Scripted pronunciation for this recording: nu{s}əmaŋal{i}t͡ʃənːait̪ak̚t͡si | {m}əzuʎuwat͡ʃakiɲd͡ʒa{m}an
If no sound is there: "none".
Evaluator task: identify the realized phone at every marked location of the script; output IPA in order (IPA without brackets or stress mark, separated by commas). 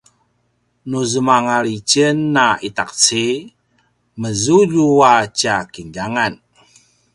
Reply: z, i, m, ŋ